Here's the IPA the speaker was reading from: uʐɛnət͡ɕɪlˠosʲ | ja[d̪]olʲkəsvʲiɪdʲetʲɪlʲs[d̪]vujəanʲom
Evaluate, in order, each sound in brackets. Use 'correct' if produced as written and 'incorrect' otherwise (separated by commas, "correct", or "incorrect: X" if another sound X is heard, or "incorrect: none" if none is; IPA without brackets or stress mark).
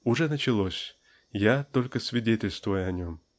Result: incorrect: t̪, incorrect: t̪